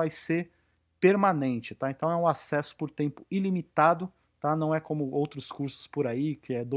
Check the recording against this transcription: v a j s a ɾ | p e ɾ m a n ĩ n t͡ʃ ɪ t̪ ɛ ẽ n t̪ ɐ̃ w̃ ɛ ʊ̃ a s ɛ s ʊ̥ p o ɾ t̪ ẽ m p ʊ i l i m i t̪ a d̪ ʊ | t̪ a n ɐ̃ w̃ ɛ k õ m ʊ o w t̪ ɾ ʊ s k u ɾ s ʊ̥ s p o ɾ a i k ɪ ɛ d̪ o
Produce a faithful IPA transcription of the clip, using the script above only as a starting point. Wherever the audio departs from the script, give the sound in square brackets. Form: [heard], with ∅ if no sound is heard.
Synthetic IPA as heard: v a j s [e] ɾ | p e ɾ m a n [ẽ] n t͡ʃ ɪ t̪ [a] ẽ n t̪ ɐ̃ w̃ ɛ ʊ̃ a s ɛ s ʊ̥ p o ɾ t̪ ẽ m p ʊ i l i m i t̪ a d̪ ʊ | t̪ a n ɐ̃ w̃ ɛ k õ m ʊ o w t̪ ɾ ʊ s k u ɾ s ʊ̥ s p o ɾ a i k ɪ ɛ d̪ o